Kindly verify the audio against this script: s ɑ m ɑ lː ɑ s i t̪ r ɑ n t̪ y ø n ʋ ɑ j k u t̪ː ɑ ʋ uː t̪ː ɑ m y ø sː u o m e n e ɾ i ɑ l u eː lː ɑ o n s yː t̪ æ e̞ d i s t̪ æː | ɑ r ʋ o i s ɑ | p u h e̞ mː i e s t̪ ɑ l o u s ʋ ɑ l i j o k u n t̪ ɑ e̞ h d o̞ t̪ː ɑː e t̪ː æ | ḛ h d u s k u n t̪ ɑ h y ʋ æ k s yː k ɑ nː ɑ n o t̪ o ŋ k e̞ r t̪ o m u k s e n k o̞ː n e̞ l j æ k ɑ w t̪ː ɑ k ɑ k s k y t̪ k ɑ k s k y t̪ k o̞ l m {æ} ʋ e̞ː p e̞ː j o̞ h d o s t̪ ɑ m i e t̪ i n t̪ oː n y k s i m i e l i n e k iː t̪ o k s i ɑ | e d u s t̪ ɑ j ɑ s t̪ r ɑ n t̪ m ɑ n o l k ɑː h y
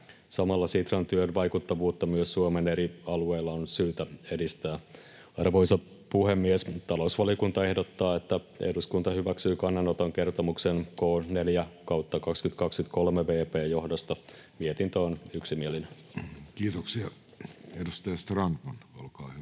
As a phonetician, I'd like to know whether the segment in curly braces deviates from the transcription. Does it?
yes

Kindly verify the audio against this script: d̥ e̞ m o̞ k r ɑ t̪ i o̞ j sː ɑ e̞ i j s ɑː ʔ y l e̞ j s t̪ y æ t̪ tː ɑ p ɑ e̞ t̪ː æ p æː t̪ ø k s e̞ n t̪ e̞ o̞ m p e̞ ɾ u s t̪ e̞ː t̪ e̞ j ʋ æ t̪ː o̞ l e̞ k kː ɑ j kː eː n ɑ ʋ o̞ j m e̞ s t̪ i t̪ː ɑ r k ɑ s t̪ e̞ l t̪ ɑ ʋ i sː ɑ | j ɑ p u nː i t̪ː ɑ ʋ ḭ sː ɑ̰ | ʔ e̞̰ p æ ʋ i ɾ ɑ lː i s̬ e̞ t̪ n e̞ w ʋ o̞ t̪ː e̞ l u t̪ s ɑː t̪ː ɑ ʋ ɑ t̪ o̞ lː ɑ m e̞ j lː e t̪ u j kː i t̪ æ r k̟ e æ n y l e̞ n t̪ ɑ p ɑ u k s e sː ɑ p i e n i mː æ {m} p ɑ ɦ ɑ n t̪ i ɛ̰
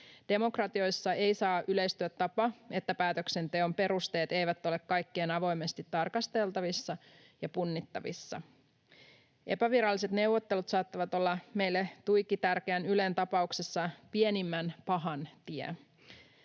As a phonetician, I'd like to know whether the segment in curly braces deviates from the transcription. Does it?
yes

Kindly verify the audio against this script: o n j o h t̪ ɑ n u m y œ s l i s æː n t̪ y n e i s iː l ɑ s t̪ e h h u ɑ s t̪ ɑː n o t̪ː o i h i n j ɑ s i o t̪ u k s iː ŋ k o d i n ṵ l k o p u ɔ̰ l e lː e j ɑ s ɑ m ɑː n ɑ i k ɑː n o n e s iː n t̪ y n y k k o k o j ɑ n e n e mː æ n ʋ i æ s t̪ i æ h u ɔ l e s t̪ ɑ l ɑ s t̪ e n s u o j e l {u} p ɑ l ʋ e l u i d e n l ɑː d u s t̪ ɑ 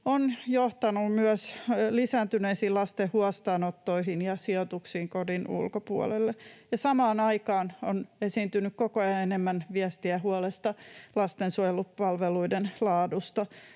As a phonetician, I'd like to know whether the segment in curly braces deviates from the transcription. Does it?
no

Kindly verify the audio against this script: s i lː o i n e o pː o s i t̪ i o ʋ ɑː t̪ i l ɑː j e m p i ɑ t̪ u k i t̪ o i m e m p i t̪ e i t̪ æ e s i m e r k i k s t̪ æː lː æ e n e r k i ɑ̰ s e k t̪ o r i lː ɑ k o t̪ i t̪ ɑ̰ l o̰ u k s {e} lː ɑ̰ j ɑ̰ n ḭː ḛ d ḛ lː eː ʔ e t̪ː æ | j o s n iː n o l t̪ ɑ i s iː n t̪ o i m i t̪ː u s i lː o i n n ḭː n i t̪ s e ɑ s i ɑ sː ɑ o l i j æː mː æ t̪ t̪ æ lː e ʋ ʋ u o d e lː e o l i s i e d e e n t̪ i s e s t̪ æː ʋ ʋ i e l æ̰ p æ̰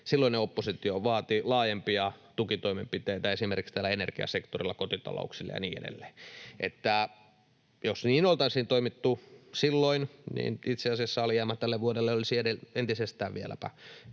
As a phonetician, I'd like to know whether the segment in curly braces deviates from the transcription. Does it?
yes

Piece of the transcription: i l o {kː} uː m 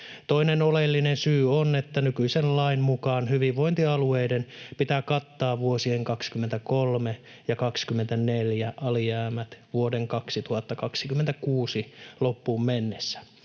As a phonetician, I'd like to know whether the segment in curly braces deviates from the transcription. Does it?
yes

